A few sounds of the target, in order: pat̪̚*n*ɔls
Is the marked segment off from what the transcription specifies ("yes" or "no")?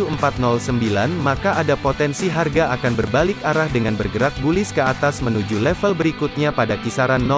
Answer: no